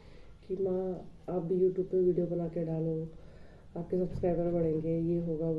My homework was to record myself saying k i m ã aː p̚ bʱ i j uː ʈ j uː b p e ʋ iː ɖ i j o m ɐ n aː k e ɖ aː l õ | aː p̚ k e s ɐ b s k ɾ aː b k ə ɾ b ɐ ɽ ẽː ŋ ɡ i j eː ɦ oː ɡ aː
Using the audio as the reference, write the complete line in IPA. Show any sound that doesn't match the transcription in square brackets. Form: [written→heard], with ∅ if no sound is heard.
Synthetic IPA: k i m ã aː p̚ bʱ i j uː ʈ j uː b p e ʋ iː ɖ i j o [m→b] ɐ n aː k e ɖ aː l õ | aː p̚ k e s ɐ b s k ɾ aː b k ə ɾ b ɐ ɽ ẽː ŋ ɡ [i→e] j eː ɦ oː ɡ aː